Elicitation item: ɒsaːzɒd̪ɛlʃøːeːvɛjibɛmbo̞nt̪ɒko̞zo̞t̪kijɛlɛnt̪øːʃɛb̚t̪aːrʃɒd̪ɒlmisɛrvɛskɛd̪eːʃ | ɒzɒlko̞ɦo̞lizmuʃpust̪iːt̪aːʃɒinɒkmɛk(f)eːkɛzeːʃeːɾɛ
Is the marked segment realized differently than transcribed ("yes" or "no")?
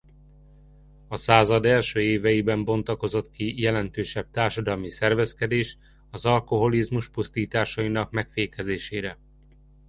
no